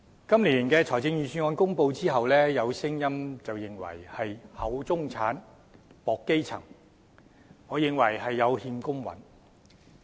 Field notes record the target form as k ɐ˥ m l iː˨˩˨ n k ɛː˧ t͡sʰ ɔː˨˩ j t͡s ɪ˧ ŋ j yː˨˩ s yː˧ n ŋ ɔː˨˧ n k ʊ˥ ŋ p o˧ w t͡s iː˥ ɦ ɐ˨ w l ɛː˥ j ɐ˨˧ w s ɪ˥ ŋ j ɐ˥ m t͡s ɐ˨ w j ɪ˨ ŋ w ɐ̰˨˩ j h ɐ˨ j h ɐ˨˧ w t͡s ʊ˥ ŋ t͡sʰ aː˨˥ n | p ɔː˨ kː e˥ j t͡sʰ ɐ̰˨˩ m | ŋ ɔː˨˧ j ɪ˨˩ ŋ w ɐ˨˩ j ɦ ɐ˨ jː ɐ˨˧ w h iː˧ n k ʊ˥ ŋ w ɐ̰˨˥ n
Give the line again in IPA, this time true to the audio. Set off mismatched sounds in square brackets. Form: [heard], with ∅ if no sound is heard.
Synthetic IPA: k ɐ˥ m l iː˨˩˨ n k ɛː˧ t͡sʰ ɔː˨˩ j t͡s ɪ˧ ŋ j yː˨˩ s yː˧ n ŋ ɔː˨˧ n k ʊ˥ ŋ p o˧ w t͡s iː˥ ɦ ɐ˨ w l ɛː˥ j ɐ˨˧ w s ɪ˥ ŋ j ɐ˥ m t͡s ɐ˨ w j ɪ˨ ŋ w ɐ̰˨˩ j h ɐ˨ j h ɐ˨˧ w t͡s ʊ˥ ŋ t͡sʰ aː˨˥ n | p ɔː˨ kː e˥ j t͡sʰ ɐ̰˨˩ [ŋ] | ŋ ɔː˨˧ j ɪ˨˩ ŋ w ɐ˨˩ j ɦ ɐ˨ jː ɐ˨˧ w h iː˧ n k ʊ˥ ŋ w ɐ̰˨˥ n